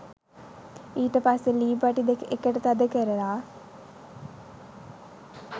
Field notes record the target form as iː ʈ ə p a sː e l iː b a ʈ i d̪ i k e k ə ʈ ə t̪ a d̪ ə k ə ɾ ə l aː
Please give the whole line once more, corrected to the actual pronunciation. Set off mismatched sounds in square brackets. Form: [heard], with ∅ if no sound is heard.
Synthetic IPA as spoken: iː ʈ ə p a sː e l iː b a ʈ i d̪ [e] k e k ə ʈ ə t̪ a d̪ ə k ə ɾ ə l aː